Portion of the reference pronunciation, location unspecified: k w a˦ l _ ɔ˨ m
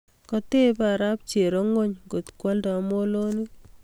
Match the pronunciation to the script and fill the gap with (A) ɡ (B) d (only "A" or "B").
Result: B